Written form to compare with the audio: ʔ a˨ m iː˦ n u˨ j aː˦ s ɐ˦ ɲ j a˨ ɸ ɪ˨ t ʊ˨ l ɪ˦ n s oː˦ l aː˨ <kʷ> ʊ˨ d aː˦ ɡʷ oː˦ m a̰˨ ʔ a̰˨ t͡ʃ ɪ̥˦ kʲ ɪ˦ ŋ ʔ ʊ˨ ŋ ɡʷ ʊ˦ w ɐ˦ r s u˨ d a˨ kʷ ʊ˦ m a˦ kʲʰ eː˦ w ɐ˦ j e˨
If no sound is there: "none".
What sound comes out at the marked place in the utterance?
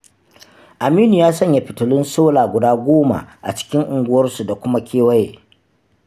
ɡʷ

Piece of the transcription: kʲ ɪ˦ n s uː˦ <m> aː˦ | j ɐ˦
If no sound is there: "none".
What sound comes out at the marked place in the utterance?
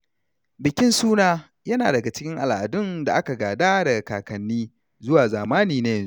n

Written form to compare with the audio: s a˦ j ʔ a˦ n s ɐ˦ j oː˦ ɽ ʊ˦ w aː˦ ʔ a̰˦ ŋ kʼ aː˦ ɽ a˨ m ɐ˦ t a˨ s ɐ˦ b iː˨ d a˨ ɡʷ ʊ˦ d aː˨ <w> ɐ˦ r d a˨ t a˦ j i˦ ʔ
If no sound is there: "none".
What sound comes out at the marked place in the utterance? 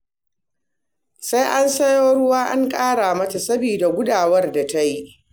w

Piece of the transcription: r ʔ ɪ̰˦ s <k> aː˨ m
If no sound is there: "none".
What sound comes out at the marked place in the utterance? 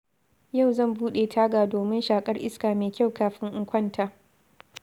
k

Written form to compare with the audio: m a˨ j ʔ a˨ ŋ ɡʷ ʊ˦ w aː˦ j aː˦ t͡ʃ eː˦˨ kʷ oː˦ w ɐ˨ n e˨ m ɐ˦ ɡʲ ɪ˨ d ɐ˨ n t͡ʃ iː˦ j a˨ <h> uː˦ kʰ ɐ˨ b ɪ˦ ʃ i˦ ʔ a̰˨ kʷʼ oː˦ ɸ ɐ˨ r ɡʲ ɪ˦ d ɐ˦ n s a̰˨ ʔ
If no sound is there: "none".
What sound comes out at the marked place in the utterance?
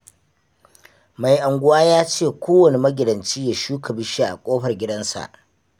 ʃ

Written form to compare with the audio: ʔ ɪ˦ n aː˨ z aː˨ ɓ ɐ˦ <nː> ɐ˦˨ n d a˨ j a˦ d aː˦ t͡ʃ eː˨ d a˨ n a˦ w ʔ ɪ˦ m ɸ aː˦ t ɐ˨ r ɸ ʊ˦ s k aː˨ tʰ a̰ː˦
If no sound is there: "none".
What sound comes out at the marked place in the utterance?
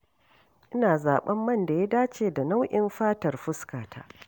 mː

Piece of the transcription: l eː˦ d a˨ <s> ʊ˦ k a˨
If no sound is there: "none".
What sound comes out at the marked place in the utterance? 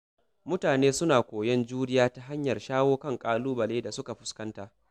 s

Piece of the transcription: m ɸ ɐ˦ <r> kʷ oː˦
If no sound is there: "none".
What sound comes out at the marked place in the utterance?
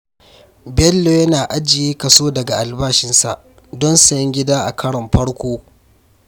ɽ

